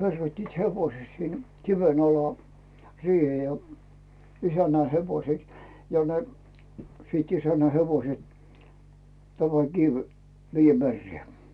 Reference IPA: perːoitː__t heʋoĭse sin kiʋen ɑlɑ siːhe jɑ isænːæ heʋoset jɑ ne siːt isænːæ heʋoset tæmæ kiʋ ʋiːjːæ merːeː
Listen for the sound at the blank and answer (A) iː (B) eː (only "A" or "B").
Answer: A